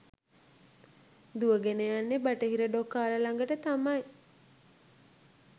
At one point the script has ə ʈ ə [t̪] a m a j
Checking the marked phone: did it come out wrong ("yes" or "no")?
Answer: no